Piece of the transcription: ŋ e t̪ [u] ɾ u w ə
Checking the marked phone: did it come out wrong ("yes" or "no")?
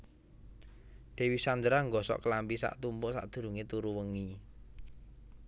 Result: no